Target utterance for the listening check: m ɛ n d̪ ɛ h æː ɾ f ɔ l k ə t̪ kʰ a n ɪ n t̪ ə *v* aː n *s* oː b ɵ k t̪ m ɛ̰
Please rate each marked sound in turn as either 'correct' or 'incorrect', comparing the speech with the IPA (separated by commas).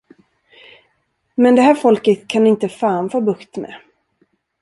incorrect, incorrect